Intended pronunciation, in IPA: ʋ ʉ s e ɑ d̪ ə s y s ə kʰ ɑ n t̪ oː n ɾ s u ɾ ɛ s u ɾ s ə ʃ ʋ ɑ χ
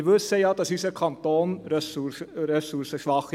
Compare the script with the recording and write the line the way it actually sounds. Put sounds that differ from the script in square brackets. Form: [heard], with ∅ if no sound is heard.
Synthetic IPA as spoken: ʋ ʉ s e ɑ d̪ [ɑ] s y s ə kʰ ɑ n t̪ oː n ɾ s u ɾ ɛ s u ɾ s ə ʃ ʋ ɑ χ